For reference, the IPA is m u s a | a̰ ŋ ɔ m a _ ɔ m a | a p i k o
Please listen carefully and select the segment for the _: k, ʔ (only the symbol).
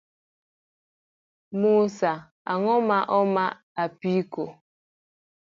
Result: ʔ